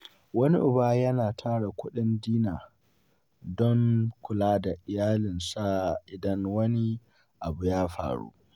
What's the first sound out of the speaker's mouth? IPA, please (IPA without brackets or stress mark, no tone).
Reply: w